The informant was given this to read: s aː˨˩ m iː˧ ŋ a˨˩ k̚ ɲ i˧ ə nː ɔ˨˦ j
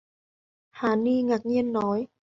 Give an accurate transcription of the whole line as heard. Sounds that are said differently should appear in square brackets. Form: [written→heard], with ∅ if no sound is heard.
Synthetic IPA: [s→h] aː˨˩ [m→n] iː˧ ŋ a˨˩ k̚ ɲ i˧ ə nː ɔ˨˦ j

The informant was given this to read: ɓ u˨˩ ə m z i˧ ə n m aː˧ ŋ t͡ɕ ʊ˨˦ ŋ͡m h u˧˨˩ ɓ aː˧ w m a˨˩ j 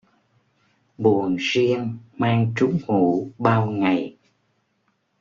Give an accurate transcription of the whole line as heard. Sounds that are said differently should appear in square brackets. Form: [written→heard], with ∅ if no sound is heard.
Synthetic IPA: ɓ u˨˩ ə [m→n] z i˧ ə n m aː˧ ŋ t͡ɕ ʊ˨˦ ŋ͡m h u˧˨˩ ɓ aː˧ w [m→ŋ] a˨˩ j

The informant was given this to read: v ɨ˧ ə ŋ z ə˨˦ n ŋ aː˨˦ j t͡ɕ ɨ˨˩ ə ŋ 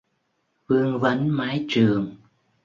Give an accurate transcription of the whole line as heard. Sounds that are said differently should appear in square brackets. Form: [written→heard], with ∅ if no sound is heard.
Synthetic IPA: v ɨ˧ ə ŋ [z→v] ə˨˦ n [ŋ→m] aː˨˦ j t͡ɕ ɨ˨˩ ə ŋ

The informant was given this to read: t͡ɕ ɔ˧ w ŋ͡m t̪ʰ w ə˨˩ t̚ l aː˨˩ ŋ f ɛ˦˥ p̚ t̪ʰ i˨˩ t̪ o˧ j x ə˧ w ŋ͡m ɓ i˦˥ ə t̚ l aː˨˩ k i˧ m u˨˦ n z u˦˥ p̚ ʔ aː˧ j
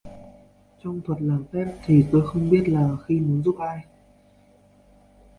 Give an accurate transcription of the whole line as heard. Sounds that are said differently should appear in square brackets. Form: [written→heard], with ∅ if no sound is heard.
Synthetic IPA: t͡ɕ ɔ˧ w ŋ͡m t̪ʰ w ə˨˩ t̚ l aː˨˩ [ŋ→m] f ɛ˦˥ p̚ t̪ʰ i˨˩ t̪ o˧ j x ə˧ w ŋ͡m ɓ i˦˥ ə t̚ l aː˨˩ [k→x] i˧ m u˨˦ n z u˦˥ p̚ ʔ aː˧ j

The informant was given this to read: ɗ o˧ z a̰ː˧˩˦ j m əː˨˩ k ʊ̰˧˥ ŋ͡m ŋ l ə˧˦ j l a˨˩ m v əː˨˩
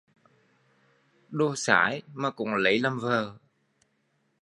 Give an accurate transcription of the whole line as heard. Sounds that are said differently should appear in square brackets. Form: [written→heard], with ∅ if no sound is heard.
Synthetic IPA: ɗ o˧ [z→s] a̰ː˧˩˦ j m [əː˨˩→aː˨˩] k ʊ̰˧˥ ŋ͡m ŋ l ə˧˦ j l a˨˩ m v əː˨˩

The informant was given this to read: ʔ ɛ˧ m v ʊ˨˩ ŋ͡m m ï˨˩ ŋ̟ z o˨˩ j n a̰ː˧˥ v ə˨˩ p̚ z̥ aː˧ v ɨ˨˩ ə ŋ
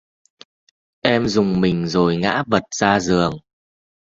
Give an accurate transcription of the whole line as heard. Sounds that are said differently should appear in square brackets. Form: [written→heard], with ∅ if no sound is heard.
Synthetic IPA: ʔ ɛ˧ m [v→z] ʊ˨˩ ŋ͡m m ï˨˩ ŋ̟ z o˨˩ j [n→ŋ] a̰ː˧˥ v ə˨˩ [p̚→t̚] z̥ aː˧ [v→z] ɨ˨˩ ə ŋ

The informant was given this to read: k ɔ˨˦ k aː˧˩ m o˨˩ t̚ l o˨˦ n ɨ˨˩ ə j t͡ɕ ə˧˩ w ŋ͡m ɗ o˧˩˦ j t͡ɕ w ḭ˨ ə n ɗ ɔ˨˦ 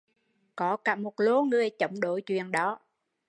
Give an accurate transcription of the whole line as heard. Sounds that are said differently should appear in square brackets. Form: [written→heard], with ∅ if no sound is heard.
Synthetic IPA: k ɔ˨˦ k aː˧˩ m o˨˩ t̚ l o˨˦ [n→ŋ] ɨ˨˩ ə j t͡ɕ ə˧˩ w ŋ͡m ɗ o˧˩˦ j t͡ɕ w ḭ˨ ə n ɗ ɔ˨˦

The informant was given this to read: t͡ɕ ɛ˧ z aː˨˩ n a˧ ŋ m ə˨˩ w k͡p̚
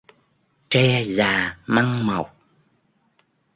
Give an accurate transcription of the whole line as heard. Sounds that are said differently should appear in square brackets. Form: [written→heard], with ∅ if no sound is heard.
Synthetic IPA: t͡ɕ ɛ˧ z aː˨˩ [n→m] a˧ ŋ m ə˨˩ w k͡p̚

